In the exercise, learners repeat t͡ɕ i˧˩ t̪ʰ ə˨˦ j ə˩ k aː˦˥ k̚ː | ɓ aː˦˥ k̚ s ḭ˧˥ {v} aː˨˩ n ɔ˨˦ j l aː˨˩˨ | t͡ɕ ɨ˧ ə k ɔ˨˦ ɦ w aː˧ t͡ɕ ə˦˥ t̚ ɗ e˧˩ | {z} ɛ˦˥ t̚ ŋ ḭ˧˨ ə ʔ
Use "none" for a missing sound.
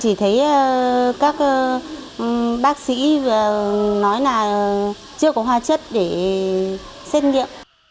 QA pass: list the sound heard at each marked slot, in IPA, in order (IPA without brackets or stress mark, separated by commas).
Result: v, s